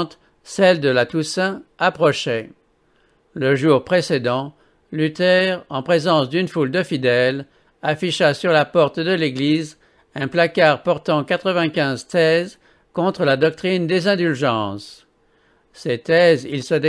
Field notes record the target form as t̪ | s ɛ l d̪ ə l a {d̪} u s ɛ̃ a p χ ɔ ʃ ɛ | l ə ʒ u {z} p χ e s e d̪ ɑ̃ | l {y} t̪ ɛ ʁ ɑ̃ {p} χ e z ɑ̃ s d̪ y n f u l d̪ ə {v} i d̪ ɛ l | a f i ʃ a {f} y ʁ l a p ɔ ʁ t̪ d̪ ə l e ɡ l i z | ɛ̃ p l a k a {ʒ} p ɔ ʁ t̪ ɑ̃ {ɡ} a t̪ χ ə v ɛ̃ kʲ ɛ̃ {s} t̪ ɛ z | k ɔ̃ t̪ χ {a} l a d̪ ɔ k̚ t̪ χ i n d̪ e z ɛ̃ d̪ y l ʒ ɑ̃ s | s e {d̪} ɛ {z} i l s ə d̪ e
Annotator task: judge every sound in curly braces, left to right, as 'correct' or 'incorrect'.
incorrect: t̪, incorrect: ʁ, correct, correct, incorrect: f, incorrect: s, incorrect: ʁ, incorrect: k, incorrect: z, incorrect: ə, incorrect: t̪, correct

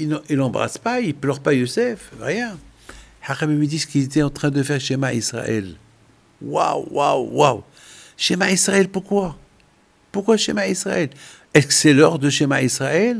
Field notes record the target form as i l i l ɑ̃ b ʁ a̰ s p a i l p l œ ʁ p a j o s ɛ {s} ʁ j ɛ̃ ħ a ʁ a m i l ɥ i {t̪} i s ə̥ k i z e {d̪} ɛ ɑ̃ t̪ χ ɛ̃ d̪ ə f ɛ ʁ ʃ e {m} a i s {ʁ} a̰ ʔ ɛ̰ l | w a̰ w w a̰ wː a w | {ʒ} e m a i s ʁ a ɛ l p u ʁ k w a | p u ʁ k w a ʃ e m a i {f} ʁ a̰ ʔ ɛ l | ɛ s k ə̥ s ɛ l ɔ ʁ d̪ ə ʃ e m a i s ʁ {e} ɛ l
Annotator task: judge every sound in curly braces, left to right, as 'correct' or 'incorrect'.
incorrect: f, incorrect: d̪, incorrect: t̪, correct, correct, incorrect: ʃ, incorrect: s, incorrect: a

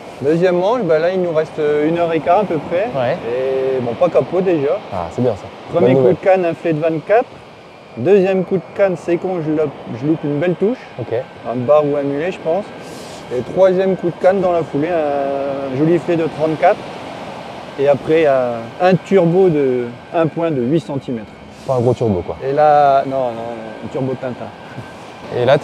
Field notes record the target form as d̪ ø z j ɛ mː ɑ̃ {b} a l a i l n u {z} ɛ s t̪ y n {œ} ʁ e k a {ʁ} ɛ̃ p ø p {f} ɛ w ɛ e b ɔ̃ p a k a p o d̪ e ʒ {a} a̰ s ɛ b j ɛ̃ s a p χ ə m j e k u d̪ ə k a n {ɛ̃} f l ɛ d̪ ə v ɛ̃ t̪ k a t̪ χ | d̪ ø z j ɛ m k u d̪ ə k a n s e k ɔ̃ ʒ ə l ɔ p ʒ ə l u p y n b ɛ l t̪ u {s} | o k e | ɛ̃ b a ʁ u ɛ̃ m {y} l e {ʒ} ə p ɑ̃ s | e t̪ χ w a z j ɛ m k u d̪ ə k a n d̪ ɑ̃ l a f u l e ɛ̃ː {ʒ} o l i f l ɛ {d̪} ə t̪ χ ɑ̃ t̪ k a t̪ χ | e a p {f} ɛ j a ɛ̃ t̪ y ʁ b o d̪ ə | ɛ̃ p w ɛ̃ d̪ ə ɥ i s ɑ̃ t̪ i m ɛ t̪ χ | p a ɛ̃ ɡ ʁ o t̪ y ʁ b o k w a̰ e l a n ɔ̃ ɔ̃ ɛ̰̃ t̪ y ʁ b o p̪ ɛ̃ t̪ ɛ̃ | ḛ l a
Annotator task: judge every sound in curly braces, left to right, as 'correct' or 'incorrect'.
correct, incorrect: ʁ, correct, correct, incorrect: χ, correct, correct, incorrect: ʃ, correct, correct, correct, correct, incorrect: χ

